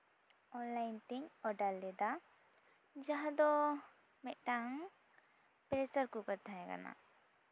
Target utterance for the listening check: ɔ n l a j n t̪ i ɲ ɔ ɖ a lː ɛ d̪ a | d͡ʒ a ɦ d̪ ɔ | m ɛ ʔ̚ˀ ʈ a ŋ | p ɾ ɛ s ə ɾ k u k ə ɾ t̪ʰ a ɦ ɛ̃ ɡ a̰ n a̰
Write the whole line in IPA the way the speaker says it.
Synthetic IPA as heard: ɔ n l a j n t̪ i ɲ ɔ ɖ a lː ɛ d̪ a | d͡ʒ a ɦ d̪ ɔ | m ɛ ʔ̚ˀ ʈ a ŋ | p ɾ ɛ s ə ɾ k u k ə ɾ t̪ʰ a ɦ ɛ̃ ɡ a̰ n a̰